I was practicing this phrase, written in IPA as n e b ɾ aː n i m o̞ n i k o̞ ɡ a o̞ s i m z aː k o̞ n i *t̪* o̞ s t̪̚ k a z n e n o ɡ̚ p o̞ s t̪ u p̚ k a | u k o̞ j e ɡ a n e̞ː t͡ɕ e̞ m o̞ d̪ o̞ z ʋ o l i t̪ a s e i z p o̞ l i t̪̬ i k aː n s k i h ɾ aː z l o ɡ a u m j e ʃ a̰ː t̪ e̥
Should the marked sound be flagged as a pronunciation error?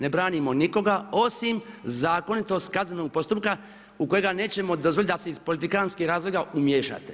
no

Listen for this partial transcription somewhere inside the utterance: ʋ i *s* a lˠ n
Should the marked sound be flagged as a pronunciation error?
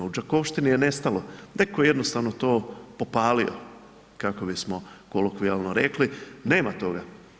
yes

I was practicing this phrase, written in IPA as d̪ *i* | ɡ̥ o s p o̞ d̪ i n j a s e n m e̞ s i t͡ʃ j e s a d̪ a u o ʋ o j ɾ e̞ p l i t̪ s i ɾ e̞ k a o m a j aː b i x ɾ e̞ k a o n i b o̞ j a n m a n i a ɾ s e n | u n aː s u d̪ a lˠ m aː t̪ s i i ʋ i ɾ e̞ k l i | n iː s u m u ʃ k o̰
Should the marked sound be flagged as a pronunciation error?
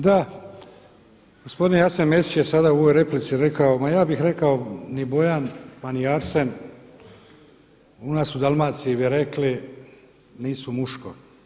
yes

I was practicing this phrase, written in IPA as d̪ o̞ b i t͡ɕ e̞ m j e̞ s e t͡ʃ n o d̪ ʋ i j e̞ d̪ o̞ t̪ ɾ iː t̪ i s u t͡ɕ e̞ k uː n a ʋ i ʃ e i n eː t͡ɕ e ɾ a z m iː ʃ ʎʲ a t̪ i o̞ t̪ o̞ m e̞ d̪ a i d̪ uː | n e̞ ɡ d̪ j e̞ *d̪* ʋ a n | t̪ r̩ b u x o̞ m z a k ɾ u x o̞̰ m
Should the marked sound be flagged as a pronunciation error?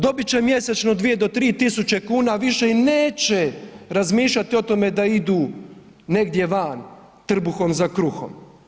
yes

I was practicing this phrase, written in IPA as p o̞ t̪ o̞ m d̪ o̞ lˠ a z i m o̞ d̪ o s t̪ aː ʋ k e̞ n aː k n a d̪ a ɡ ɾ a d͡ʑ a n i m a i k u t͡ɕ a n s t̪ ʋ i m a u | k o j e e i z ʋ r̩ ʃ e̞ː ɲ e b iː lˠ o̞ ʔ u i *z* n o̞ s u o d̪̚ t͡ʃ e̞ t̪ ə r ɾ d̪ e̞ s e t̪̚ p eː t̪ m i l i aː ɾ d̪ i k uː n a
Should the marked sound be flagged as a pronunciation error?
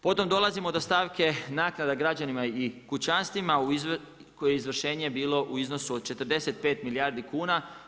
no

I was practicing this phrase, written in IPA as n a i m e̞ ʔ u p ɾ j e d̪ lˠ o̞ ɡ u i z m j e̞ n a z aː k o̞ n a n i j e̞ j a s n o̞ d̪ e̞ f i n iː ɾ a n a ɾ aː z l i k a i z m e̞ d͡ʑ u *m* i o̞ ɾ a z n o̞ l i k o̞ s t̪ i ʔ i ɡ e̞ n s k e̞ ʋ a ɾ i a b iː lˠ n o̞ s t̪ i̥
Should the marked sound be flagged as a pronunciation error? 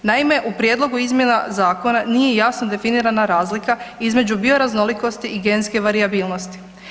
yes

